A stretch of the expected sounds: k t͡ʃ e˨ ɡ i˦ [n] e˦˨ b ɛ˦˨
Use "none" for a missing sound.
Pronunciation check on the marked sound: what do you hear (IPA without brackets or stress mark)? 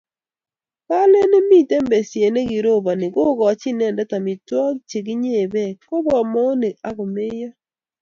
ɲ